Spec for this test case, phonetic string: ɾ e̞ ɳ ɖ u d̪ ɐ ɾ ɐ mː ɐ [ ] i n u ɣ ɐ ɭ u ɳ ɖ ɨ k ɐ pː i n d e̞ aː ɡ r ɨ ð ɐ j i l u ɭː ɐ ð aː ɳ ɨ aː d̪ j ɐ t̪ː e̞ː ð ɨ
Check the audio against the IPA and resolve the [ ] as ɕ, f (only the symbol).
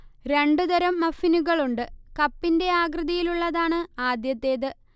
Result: f